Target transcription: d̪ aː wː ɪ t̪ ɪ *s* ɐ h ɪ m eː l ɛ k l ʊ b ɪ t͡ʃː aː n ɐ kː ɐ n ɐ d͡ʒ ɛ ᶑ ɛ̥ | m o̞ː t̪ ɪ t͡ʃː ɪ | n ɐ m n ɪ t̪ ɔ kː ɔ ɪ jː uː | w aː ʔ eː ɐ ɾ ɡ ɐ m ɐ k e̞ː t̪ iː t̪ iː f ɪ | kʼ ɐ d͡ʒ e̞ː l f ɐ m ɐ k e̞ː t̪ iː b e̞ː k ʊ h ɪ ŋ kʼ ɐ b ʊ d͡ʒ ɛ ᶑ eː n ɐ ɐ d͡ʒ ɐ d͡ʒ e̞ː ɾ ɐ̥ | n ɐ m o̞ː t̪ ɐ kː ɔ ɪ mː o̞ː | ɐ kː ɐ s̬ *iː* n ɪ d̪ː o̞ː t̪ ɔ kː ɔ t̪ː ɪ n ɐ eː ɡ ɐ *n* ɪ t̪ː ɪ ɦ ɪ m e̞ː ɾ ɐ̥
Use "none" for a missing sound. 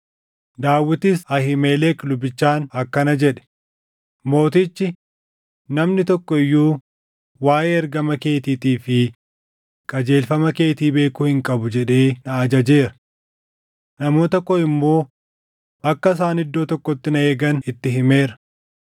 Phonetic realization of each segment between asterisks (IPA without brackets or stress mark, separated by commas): s, aː, n